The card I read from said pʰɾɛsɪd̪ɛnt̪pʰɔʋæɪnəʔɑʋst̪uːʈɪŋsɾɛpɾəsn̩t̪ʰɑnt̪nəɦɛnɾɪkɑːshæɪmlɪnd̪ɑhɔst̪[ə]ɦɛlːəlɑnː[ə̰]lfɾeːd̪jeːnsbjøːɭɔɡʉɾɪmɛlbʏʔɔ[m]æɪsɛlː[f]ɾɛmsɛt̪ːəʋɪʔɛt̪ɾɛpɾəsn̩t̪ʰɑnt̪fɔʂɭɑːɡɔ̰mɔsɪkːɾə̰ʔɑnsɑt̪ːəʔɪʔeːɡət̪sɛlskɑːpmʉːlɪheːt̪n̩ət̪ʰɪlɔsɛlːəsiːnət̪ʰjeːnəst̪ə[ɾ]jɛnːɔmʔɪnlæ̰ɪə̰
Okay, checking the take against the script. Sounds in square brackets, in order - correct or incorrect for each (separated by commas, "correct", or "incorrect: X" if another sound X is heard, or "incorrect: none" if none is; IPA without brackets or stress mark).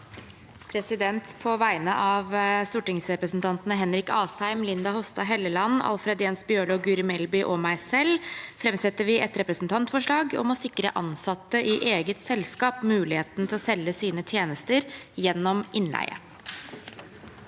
incorrect: ɑ, incorrect: ɑ̰, correct, correct, correct